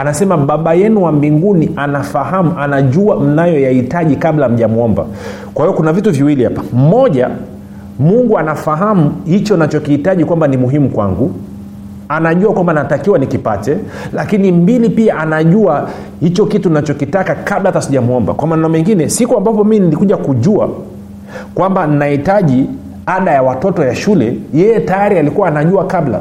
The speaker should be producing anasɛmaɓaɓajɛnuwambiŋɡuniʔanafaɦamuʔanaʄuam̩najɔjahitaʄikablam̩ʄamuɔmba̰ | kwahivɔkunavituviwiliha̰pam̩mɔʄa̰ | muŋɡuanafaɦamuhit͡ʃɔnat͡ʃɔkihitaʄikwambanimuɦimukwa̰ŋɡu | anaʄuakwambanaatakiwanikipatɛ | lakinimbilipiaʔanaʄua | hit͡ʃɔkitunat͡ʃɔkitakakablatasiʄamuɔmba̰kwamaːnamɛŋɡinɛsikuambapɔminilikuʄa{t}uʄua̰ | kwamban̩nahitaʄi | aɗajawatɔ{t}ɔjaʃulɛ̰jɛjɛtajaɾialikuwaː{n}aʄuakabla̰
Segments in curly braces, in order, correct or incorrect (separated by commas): incorrect, correct, correct